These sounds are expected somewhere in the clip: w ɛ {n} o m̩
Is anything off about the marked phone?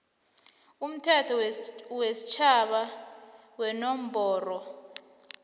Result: no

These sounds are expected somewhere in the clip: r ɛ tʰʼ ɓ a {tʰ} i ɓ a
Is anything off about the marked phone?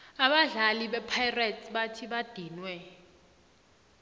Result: no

